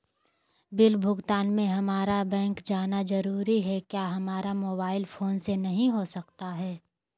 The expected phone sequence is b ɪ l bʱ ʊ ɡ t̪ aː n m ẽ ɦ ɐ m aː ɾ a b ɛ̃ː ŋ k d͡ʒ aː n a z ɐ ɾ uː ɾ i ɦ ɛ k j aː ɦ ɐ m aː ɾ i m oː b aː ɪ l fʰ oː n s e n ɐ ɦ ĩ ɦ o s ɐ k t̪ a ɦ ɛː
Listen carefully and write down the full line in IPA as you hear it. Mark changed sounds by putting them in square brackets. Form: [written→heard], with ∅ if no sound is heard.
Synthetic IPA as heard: b ɪ l bʱ ʊ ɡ t̪ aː n m ẽ ɦ ɐ m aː ɾ a b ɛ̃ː ŋ k d͡ʒ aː n a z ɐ ɾ uː ɾ i ɦ ɛ k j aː ɦ ɐ m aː ɾ [i→a] m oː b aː ɪ l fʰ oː n s e n ɐ ɦ ĩ ɦ o s ɐ k t̪ a ɦ ɛː

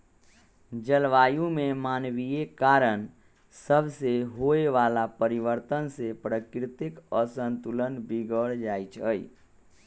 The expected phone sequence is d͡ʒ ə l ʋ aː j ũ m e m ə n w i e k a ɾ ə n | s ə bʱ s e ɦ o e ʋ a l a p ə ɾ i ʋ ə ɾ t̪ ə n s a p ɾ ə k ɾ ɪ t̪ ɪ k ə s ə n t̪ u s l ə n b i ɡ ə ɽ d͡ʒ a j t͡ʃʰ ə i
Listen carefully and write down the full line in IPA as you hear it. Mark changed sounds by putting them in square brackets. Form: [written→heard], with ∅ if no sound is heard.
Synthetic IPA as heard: d͡ʒ ə l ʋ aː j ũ m e m [ə→a] n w i e k a ɾ ə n | s ə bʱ s e ɦ o e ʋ a l a p ə ɾ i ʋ ə ɾ t̪ ə n s [a→e] p ɾ ə k ɾ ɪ t̪ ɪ k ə s ə n t̪ u [s→∅] l ə n b i ɡ ə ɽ d͡ʒ a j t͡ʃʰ ə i

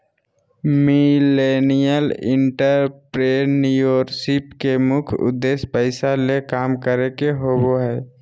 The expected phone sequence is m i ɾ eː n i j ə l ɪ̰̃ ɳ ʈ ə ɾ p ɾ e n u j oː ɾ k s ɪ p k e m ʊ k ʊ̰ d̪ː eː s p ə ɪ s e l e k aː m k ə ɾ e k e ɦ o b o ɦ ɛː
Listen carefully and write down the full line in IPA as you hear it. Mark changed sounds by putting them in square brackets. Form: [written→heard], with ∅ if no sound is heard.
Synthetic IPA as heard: m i [ɾ→l] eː n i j ə l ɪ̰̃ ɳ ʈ ə ɾ p ɾ e n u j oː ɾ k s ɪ p k e m ʊ [k→kʰ] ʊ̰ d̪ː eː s p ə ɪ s [e→a] l e k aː m k ə ɾ e k e ɦ o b o ɦ ɛː

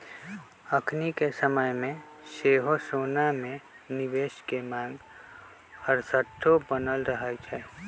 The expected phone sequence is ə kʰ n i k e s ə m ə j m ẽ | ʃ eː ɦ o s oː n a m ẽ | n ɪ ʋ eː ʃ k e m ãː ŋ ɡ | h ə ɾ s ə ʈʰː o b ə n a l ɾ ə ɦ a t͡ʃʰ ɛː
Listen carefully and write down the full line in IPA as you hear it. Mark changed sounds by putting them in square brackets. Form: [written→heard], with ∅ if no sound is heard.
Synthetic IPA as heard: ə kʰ n i k e s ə m ə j m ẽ | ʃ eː ɦ o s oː n a m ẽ | n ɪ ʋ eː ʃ k e m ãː ŋ ɡ | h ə ɾ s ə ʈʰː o b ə n [a→ə] l ɾ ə ɦ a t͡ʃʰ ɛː

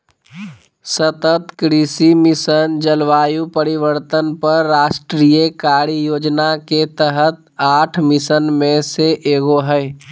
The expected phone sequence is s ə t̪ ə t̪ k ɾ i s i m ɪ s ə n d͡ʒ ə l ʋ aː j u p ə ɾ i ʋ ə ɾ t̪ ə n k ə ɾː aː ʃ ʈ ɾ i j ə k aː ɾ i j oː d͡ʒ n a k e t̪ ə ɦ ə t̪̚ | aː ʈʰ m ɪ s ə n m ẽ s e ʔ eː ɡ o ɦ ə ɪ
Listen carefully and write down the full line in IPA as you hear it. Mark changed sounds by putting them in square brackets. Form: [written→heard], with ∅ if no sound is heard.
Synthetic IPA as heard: s ə t̪ ə t̪ k ɾ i s i m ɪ s ə n d͡ʒ ə l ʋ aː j u p ə ɾ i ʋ ə ɾ t̪ ə n [k→p] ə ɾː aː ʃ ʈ ɾ i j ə k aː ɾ i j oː d͡ʒ n a k e t̪ ə ɦ ə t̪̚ | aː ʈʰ m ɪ s ə n m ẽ s e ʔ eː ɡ o ɦ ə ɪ

